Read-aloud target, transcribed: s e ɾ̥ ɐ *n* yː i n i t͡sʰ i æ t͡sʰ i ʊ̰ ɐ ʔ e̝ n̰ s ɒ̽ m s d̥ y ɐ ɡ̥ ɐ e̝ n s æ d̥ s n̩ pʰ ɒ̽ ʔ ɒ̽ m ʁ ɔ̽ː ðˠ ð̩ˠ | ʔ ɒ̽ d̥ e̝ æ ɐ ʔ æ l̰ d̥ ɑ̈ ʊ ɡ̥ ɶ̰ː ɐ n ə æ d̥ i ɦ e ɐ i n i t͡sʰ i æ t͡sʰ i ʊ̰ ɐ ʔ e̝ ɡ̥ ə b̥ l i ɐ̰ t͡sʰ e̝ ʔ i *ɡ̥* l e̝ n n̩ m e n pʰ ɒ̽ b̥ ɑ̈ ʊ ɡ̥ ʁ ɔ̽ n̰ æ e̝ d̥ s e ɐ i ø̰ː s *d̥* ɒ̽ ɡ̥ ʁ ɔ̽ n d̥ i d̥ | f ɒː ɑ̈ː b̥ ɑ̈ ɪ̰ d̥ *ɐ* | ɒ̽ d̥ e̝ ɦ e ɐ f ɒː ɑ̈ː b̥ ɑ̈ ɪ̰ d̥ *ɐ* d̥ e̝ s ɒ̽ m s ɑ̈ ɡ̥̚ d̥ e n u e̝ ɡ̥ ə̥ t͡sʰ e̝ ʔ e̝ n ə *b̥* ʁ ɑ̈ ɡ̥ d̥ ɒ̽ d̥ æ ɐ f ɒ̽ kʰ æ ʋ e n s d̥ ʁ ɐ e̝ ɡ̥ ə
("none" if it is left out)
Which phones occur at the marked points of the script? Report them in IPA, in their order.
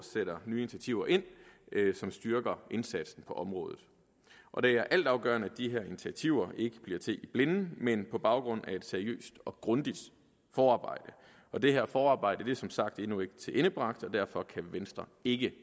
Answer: n, b̥, d̥, ə, ə, b̥

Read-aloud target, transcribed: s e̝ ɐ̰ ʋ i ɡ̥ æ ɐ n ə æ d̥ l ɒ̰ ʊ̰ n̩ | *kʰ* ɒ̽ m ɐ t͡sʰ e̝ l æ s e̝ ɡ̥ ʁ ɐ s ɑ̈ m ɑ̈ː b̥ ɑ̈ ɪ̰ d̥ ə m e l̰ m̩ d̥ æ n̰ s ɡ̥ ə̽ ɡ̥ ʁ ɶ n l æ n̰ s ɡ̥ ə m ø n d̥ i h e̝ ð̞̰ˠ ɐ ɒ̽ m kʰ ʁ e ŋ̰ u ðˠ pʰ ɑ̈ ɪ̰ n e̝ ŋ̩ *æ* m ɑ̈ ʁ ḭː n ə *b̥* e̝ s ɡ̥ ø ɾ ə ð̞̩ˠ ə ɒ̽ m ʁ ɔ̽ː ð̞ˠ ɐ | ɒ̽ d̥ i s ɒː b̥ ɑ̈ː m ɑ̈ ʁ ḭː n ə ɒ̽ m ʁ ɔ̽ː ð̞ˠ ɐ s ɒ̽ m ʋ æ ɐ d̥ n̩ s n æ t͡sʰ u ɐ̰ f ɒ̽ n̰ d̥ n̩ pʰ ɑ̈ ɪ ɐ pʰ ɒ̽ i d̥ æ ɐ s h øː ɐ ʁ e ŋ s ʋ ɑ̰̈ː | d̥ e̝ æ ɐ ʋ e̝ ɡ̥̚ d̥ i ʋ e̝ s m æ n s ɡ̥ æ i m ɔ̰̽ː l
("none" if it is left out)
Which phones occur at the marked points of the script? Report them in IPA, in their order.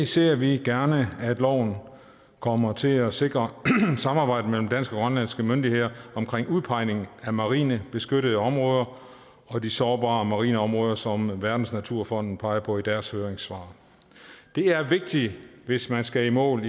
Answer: kʰ, æ, b̥

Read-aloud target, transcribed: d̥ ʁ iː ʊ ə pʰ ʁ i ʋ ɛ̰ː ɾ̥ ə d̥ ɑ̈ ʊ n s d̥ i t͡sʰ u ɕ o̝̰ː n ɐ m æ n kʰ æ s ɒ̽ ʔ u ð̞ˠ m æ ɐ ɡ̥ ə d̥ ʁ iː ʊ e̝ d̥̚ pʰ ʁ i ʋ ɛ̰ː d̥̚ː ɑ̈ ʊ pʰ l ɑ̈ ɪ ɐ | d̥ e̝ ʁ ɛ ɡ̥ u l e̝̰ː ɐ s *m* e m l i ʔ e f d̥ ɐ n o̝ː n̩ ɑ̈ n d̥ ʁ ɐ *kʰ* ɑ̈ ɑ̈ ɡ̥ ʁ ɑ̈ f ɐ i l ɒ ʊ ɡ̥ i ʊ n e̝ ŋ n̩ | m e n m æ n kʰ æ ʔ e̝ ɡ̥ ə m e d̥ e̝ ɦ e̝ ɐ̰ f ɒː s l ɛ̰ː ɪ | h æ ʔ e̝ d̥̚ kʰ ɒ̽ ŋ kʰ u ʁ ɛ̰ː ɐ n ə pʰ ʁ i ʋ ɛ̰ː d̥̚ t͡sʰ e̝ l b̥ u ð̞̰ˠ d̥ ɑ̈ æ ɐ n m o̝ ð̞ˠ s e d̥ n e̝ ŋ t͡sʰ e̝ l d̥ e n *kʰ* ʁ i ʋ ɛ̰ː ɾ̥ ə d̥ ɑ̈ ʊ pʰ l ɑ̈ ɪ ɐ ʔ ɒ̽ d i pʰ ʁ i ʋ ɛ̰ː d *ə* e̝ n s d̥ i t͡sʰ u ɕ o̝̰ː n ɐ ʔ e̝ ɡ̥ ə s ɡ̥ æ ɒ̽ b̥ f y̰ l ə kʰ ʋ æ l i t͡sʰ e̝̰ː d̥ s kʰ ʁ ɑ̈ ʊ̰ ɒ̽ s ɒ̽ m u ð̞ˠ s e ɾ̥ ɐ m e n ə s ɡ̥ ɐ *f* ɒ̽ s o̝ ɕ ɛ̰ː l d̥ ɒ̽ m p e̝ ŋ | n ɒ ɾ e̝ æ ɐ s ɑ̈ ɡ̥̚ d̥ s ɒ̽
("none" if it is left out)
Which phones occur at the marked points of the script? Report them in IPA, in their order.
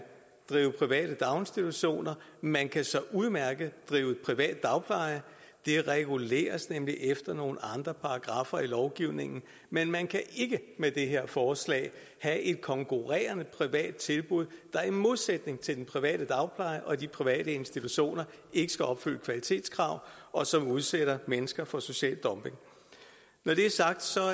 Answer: n, pʰ, pʰ, ə, f

